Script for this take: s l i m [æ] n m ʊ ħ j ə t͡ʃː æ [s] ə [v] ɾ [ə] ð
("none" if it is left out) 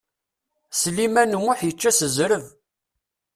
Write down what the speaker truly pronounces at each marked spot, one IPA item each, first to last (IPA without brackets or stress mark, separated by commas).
æ, s, z, ə